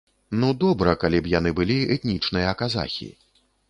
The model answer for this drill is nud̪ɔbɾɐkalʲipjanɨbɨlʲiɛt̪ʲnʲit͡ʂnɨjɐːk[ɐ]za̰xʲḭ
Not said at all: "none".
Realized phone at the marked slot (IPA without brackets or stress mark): a